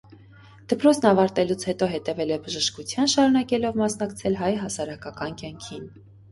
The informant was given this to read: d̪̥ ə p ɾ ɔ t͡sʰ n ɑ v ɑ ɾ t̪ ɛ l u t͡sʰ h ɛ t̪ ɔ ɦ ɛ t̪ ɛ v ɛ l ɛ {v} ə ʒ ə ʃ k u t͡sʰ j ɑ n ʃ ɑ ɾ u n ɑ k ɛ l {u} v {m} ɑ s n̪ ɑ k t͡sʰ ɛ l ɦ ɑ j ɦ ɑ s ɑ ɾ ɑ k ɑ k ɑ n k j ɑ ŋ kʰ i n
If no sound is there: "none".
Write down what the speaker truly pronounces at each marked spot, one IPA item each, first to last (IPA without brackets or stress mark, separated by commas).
b, ɔ, m